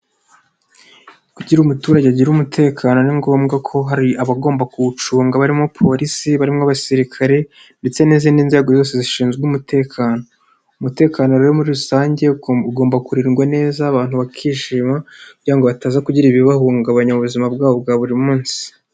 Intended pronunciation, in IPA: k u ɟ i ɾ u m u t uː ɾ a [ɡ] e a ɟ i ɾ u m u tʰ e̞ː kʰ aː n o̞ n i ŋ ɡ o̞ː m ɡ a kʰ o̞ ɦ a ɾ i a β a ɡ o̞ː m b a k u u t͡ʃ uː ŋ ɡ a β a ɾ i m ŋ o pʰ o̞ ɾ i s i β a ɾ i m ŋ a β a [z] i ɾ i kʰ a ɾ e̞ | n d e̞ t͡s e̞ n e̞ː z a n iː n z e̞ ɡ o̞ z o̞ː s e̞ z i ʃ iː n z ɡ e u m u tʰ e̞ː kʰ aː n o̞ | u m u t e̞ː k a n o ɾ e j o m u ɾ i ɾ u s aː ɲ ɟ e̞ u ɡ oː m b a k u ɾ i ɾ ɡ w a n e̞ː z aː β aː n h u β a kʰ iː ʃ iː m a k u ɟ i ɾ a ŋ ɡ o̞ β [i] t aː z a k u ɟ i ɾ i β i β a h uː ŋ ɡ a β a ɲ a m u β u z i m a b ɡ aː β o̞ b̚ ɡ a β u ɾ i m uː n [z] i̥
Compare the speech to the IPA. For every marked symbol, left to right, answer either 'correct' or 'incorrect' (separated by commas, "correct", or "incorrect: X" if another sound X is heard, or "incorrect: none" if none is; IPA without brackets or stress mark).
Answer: incorrect: ɟ, incorrect: s, incorrect: a, incorrect: s